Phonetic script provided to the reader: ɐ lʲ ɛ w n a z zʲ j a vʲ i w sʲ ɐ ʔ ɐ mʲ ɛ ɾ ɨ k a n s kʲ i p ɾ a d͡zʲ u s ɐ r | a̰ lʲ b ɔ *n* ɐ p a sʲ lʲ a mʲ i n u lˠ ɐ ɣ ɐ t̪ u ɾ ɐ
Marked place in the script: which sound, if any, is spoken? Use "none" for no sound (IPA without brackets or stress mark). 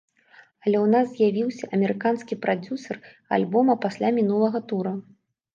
m